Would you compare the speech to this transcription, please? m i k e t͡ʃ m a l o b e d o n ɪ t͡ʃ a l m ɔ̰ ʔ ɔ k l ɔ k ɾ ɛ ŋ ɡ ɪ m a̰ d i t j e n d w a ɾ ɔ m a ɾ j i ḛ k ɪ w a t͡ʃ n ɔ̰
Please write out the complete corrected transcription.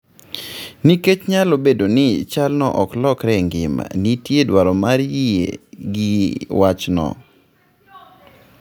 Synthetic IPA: n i k e t͡ʃ ɲ a l o b e d o n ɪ t͡ʃ a l n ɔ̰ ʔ ɔ k l ɔ k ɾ ɛ ŋ ɡ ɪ m a̰ n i t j e d w a ɾ ɔ m a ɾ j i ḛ ɡ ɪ w a t͡ʃ n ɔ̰